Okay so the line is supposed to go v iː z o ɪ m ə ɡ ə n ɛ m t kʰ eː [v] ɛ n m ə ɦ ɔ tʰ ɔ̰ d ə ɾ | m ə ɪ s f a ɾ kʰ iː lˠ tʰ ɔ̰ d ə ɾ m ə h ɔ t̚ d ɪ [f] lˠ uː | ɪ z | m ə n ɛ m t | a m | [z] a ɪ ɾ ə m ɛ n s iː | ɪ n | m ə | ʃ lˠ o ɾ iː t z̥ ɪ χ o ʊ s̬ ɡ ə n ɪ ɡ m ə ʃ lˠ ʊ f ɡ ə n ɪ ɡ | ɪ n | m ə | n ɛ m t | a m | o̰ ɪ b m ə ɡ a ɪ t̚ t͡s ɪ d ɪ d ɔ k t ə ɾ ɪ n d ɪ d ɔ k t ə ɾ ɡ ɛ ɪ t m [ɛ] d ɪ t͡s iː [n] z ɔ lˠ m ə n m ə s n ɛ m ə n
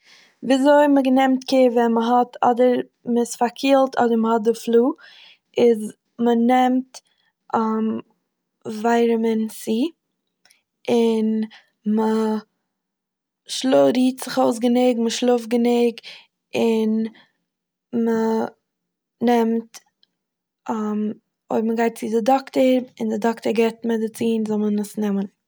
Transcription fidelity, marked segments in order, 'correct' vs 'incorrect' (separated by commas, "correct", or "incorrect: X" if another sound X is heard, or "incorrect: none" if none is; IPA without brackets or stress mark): correct, correct, incorrect: v, correct, correct